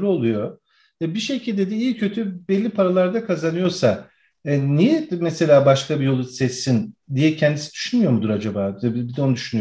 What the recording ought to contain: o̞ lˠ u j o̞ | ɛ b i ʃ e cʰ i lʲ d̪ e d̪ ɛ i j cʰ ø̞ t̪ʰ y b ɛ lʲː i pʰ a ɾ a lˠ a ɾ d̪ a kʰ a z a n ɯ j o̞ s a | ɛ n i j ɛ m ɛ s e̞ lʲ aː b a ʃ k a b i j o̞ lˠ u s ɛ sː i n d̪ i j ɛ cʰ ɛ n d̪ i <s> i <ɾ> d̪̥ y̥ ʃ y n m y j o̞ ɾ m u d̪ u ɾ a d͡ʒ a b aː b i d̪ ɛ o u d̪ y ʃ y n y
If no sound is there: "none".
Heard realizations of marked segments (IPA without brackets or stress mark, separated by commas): s, none